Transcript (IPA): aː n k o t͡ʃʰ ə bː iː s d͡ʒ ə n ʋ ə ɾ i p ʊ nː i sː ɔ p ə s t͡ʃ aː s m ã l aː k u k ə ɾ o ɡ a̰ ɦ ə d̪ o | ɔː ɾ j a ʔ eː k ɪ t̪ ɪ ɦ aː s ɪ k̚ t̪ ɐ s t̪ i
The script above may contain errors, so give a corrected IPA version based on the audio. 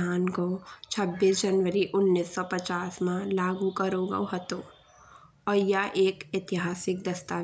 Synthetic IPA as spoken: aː n k o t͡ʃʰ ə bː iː s d͡ʒ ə n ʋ ə ɾ i ʔ ʊ nː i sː ɔ p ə t͡ʃ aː s m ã l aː ɡ u k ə ɾ o ɡ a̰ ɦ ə t̪ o | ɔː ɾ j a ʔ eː k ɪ t̪ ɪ ɦ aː s ɪ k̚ d̪ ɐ s t̪ a